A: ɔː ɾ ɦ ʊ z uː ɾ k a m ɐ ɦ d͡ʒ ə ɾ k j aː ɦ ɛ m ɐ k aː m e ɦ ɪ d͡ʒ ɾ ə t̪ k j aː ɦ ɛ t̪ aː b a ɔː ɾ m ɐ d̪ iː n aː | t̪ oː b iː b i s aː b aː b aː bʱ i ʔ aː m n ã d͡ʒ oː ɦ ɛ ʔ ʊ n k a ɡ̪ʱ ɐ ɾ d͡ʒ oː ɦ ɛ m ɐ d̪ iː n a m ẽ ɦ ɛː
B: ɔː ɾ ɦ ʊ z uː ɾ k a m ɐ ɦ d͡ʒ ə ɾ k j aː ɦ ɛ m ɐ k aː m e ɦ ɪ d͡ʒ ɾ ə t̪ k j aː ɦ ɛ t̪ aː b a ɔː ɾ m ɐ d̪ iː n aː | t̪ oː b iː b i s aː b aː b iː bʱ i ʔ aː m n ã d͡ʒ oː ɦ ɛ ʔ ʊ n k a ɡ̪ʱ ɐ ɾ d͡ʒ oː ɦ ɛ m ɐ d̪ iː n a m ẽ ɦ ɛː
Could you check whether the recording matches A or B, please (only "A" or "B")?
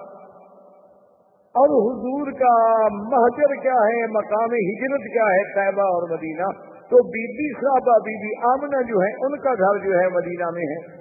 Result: B